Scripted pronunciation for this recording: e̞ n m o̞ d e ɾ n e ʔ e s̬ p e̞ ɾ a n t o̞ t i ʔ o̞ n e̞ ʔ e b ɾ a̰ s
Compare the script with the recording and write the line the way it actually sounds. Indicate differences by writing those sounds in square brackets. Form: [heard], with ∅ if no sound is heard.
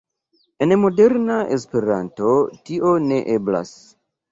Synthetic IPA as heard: e̞ n m o̞ d e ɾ n [a] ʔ e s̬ p e̞ ɾ a n t o̞ t i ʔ o̞ n e̞ ʔ e b [l] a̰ s